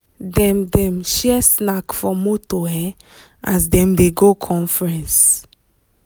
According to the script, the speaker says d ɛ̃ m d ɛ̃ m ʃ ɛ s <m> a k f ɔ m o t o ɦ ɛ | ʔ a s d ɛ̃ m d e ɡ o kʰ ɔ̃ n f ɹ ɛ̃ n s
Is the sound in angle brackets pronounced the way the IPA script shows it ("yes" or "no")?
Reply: no